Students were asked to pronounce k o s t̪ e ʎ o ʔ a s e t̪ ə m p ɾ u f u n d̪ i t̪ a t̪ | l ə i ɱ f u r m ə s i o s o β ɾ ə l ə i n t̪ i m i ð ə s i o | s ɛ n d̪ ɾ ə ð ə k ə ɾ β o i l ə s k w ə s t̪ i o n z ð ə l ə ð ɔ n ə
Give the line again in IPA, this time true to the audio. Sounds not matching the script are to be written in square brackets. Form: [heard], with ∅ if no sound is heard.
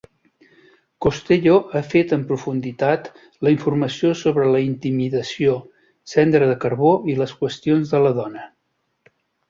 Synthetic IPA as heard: k o s t̪ e ʎ o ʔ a [f] e t̪ ə m p ɾ u f u n d̪ i t̪ a t̪ | l ə i ɱ f u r m ə s i o s o β ɾ ə l ə i n t̪ i m i ð ə s i o | s ɛ n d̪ ɾ ə ð ə k ə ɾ β o i l ə s k w ə s t̪ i o n z ð ə l ə ð ɔ n ə